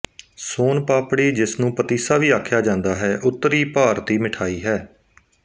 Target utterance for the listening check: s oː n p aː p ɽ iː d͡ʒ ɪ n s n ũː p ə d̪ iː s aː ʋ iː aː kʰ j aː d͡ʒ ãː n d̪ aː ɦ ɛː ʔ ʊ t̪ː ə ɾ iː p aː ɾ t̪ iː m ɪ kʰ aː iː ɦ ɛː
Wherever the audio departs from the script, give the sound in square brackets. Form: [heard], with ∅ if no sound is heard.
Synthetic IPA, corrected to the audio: s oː n p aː p ɽ iː d͡ʒ ɪ [∅] s n ũː p ə [t̪] iː s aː ʋ iː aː kʰ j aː d͡ʒ ãː n d̪ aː ɦ ɛː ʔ ʊ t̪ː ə ɾ iː p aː ɾ t̪ iː m ɪ [ʈʰ] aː iː ɦ ɛː